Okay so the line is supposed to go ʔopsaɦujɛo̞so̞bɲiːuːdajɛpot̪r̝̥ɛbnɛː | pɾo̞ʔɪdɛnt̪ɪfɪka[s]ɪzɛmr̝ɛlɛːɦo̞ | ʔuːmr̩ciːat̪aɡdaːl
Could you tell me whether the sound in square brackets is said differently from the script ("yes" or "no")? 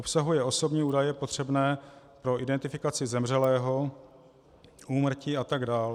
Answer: yes